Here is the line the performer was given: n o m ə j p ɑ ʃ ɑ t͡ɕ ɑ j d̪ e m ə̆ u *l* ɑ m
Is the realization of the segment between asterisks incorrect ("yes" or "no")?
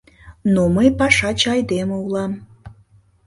no